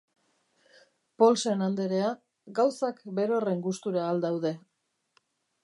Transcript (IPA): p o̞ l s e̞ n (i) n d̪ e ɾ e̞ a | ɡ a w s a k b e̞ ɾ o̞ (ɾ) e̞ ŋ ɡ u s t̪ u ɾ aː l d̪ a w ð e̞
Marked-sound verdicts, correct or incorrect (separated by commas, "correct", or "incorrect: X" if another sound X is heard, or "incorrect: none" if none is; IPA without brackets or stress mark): incorrect: a, incorrect: r